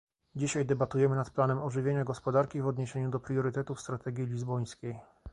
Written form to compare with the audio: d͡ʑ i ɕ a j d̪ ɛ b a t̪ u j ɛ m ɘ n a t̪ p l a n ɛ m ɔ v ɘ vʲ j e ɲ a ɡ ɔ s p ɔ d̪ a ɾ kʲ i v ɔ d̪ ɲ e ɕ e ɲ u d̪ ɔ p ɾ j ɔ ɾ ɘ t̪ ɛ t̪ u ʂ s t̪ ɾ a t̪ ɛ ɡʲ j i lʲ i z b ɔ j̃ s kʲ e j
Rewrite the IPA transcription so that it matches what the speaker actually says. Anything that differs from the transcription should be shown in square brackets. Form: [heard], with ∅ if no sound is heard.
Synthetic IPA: d͡ʑ i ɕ a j d̪ ɛ b a t̪ u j ɛ m ɘ n a t̪ p l a n ɛ m ɔ [ʐ] ɘ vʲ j e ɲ a ɡ ɔ s p ɔ d̪ a ɾ kʲ i v ɔ d̪ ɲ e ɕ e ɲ u d̪ ɔ p ɾ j ɔ ɾ ɘ t̪ ɛ t̪ u [f] s t̪ ɾ a t̪ ɛ ɡʲ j i lʲ i z b ɔ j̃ s kʲ e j